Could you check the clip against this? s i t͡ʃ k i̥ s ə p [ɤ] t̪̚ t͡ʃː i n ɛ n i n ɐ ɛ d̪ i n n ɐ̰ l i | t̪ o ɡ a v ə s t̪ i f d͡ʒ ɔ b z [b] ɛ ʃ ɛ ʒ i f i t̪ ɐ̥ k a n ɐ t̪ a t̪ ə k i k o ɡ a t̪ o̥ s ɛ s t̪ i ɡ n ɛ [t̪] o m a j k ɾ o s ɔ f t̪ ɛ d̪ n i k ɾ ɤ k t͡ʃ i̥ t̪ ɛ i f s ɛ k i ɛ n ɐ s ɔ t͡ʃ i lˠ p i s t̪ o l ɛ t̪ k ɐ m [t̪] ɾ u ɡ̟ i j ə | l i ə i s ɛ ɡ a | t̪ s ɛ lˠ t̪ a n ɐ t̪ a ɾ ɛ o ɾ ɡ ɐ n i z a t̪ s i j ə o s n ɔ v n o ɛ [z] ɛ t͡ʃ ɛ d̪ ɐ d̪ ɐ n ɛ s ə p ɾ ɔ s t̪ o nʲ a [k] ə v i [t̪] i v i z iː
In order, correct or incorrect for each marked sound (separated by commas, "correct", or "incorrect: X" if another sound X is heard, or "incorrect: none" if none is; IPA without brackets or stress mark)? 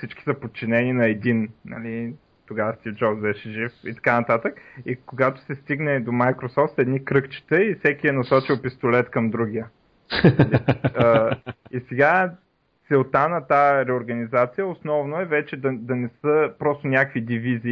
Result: incorrect: o, correct, incorrect: d̪, incorrect: d̪, incorrect: v, correct, incorrect: d̪